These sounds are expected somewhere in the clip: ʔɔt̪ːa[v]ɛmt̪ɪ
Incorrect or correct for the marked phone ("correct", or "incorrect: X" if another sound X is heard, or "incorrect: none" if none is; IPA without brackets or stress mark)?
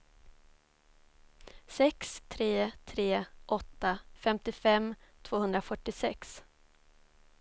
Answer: incorrect: f